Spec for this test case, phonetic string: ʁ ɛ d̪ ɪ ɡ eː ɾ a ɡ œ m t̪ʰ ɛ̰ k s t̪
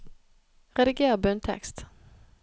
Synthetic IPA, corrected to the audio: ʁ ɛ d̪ ɪ ɡ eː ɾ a b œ n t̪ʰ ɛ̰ k s t̪